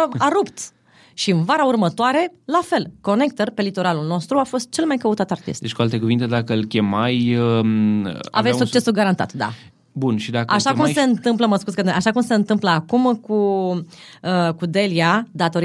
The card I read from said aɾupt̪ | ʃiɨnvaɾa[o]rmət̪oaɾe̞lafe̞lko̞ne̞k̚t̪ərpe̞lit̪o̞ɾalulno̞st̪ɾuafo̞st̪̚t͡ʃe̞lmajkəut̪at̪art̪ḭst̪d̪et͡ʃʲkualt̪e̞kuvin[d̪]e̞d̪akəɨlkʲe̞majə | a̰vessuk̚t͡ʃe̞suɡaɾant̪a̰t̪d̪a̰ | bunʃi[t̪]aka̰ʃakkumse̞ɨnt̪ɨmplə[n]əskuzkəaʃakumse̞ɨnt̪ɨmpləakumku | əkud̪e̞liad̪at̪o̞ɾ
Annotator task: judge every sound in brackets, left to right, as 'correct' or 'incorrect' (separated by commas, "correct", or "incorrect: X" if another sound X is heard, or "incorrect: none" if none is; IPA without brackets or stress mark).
incorrect: u, incorrect: t̪, incorrect: d̪, incorrect: m